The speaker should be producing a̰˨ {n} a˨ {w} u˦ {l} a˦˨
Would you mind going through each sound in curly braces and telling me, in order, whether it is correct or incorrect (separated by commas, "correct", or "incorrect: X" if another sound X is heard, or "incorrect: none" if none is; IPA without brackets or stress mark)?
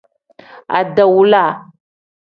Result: incorrect: d, correct, correct